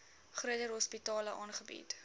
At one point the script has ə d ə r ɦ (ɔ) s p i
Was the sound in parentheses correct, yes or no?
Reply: yes